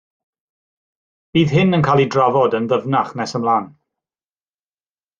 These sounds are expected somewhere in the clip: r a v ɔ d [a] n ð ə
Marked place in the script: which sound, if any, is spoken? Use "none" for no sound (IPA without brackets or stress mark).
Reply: ə